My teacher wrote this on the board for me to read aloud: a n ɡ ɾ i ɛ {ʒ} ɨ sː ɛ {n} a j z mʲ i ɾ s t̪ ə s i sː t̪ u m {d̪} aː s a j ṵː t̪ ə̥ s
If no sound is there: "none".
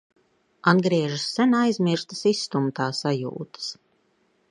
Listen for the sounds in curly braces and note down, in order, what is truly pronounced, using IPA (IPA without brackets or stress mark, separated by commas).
ʒ, n, t̪